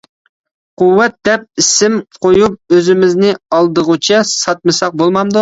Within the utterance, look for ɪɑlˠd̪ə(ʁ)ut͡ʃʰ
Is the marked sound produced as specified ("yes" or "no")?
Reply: yes